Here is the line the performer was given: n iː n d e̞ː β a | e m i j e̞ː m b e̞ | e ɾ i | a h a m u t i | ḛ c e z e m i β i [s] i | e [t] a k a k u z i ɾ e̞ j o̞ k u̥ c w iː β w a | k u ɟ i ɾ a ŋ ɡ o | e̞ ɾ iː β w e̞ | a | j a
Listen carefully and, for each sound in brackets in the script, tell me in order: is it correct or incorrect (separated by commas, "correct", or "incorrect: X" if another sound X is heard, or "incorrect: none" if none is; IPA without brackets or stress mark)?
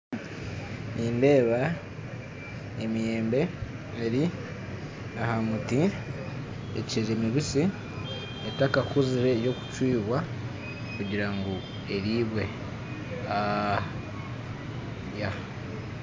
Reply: correct, correct